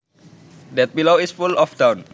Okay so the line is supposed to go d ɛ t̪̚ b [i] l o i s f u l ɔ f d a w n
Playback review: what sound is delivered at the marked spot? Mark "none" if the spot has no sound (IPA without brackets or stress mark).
i